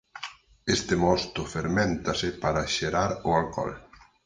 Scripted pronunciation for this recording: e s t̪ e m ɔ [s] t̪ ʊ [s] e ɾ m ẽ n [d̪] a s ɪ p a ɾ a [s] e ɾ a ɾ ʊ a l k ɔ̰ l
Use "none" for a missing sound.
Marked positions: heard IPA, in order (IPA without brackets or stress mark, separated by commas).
s, f, t̪, ʃ